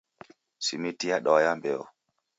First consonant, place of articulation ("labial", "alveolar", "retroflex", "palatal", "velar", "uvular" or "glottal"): alveolar